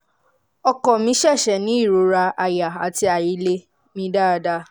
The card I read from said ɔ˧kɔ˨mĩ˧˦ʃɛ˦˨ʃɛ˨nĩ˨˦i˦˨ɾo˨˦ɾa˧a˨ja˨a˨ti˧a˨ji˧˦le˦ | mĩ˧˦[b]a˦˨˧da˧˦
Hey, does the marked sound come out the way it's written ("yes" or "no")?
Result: no